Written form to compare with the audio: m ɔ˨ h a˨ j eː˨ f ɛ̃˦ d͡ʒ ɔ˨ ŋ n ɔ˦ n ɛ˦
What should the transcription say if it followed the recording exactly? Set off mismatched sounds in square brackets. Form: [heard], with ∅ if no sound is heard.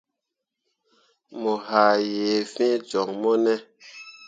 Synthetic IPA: m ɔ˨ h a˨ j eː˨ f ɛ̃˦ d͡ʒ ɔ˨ ŋ [m] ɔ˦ n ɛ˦